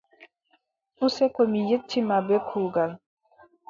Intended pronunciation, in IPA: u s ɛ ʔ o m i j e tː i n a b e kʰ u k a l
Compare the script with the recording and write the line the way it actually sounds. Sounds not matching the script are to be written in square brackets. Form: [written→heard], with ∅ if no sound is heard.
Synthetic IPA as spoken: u s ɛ [ʔ→k] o m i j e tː i [n→m] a b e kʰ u [k→ɡ] a l